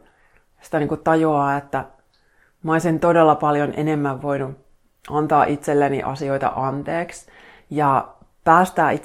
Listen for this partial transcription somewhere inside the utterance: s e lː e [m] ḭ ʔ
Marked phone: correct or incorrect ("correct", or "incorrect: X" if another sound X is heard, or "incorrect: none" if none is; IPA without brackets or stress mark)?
incorrect: n